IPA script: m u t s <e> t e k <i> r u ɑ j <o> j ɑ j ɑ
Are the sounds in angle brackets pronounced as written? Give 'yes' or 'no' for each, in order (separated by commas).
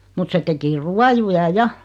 yes, yes, no